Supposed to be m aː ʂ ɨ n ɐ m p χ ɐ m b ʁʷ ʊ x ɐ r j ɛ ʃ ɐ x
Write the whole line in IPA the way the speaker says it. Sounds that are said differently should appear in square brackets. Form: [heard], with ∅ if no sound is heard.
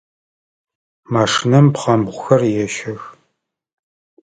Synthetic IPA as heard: m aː ʂ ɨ n ɐ m p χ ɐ m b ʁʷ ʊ x ɐ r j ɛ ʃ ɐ x